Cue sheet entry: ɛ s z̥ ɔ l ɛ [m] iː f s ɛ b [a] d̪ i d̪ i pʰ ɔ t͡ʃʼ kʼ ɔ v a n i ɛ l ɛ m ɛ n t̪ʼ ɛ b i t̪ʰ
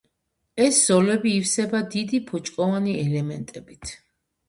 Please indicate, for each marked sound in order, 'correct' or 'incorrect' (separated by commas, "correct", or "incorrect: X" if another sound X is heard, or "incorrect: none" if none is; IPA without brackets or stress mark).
incorrect: b, correct